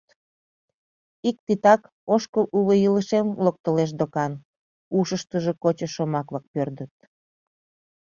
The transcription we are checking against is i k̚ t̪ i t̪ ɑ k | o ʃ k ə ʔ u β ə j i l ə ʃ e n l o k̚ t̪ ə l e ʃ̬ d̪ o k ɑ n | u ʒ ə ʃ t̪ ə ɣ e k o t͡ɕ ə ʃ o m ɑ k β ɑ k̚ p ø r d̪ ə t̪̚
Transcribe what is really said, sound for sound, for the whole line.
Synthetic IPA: i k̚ t̪ i t̪ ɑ k | o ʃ k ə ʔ u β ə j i l ə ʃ e m l o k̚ t̪ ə l e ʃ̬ d̪ o k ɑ n | u ʃ ə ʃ t̪ ə ʒ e k o t͡ɕ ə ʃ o m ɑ k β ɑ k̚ p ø r d̪ ə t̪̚